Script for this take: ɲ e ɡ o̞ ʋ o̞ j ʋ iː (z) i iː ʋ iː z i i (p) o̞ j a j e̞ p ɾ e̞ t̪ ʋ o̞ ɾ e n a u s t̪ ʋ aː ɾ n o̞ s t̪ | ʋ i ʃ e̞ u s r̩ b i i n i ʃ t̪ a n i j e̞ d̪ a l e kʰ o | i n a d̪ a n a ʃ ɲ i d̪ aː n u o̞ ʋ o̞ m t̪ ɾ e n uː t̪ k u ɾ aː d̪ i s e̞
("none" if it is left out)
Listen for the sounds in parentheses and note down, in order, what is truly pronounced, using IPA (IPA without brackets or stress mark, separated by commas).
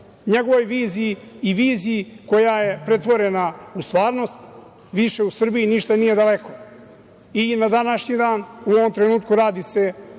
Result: z, k